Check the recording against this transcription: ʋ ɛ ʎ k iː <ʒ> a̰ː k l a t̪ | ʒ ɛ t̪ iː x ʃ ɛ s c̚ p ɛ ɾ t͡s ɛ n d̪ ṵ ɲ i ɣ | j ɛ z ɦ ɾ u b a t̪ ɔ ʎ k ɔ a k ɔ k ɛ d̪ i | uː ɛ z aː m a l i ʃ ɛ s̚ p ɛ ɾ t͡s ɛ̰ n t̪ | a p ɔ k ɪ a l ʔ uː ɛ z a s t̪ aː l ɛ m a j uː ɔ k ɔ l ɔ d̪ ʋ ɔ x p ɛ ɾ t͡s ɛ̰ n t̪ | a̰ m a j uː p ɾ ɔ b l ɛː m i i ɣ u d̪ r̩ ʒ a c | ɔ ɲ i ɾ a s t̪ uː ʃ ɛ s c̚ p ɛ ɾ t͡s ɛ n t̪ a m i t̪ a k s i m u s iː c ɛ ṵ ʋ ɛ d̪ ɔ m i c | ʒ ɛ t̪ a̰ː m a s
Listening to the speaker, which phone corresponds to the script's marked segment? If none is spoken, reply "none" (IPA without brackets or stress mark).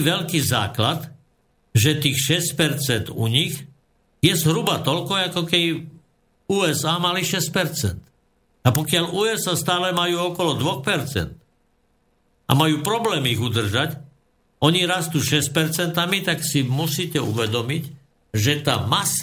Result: z